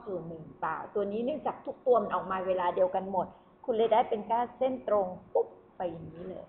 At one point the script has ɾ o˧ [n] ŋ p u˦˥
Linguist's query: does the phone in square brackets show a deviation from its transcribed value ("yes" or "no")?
yes